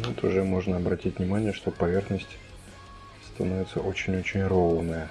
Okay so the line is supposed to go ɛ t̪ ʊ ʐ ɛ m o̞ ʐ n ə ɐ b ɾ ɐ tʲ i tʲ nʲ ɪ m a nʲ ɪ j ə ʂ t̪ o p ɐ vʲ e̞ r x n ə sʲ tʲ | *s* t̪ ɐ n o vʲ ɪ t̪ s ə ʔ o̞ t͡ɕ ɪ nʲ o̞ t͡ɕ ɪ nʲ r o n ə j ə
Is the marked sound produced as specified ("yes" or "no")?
yes